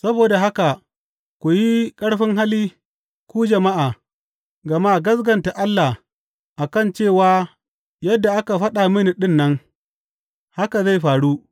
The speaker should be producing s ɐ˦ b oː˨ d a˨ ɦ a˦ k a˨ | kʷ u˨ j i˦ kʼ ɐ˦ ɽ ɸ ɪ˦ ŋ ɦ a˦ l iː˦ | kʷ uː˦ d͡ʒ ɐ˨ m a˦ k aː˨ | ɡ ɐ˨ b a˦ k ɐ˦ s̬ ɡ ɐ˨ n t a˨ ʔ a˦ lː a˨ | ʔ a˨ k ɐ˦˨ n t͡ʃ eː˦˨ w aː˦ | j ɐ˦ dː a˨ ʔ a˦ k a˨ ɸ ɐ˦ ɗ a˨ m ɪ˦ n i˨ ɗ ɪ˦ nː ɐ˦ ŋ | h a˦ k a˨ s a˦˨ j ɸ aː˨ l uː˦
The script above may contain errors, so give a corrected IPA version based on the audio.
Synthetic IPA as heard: s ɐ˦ b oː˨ d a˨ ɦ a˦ k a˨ | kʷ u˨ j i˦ kʼ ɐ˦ ɽ ɸ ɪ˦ ŋ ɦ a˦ l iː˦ | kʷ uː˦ d͡ʒ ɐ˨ m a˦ ʔ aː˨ | ɡ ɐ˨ m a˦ ɡ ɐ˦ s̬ ɡ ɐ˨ n t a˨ ʔ a˦ lː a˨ | ʔ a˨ k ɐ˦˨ n t͡ʃ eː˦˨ w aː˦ | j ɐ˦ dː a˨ ʔ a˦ k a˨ ɸ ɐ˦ ɗ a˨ m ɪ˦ n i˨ ɗ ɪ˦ nː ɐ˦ ŋ | h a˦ k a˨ z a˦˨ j ɸ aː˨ ɽ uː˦